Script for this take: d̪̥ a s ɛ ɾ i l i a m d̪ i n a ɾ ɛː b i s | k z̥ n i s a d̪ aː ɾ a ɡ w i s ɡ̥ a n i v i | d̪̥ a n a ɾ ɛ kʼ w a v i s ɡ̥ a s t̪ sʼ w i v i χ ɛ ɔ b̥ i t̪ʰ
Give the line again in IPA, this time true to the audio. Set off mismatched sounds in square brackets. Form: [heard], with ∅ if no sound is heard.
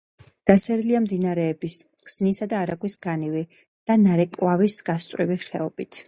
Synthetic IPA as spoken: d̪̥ a s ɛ ɾ i l i a m d̪ i n a ɾ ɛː b i s | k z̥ n i s a d̪ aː ɾ a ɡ w i s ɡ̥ a n i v i | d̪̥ a n a ɾ ɛ kʼ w a v i s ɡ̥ a s t̪ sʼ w i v i χ ɛ ɔ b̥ i t̪ʰ